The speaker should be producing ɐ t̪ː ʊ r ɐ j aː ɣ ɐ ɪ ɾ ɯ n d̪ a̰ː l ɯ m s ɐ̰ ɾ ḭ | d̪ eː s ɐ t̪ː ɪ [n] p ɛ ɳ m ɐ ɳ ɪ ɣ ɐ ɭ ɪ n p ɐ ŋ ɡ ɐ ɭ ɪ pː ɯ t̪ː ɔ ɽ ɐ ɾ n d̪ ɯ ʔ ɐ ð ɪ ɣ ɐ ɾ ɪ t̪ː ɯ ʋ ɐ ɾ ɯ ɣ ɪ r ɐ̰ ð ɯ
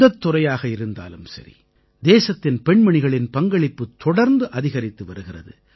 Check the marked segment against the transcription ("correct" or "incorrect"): correct